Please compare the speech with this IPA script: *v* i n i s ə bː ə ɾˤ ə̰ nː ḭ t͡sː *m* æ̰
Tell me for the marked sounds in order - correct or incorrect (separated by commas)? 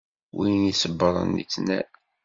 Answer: incorrect, incorrect